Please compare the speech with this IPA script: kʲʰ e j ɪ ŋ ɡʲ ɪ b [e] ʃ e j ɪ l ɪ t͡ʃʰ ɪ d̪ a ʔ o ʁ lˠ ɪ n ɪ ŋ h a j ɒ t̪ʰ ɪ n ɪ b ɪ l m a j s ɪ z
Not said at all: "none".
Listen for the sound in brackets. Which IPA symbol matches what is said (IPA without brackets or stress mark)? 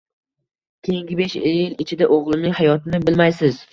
e